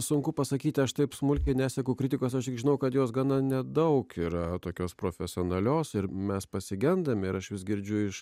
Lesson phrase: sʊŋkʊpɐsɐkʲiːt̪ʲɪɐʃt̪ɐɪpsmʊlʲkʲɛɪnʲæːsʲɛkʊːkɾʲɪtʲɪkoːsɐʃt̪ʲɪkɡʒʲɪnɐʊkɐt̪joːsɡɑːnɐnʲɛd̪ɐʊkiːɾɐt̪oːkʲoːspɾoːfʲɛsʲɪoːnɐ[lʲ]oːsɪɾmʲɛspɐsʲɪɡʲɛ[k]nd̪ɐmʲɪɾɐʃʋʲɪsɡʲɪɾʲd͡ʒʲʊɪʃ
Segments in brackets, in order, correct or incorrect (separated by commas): correct, incorrect